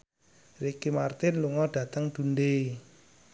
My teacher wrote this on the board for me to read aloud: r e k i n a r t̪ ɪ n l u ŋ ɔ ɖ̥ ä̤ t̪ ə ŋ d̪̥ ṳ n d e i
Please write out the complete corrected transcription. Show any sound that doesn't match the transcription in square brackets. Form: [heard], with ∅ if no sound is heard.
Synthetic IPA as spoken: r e k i [m] a r t̪ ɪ n l u ŋ ɔ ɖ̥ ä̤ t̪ ə ŋ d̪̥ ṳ n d e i